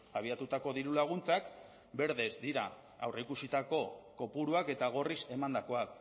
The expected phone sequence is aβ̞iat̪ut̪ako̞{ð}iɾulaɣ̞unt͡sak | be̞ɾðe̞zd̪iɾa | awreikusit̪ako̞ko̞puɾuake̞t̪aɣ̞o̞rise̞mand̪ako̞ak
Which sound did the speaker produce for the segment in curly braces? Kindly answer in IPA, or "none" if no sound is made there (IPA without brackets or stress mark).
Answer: ð